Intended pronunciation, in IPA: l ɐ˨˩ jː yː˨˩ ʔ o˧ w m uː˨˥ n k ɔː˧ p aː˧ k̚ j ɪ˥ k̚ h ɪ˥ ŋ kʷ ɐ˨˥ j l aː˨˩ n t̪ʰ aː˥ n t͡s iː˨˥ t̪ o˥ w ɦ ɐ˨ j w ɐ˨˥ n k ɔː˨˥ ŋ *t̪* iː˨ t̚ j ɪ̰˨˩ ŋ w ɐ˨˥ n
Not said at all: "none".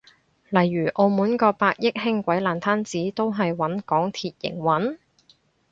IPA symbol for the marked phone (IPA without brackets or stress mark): t̪ʰ